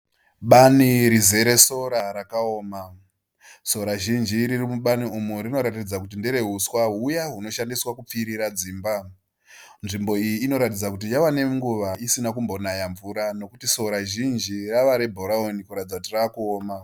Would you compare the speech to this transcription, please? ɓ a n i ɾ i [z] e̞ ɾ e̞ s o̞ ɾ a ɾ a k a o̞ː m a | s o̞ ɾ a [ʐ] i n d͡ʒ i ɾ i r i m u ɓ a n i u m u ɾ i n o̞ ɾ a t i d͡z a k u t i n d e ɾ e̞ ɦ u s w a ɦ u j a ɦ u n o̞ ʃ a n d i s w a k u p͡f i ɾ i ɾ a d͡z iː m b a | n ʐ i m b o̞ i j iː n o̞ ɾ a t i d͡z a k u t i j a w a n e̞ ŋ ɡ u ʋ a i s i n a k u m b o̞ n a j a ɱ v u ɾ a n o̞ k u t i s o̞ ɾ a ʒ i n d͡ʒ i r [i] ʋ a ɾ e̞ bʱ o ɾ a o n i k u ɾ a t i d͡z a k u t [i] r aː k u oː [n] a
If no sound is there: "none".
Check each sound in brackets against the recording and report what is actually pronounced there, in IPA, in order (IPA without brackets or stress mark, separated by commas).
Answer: z, ʒ, a, i, m